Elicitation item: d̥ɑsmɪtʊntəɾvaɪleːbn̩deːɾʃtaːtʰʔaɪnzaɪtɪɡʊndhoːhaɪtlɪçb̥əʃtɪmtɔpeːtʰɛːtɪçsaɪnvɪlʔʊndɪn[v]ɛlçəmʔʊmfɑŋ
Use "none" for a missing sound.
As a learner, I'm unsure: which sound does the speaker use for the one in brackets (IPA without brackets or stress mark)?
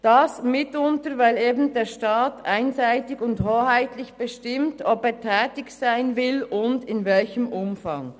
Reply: v